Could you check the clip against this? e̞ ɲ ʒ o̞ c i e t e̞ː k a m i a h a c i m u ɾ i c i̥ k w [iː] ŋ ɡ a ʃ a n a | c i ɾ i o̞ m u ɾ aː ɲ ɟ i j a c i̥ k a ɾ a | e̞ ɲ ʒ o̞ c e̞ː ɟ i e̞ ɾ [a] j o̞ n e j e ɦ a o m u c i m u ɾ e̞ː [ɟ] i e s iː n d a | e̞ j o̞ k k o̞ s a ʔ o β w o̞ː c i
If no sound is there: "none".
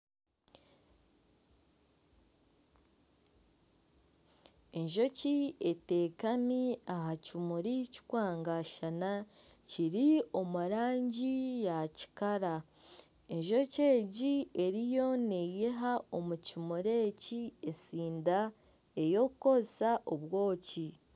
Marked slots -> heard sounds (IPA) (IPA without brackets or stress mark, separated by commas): aː, i, c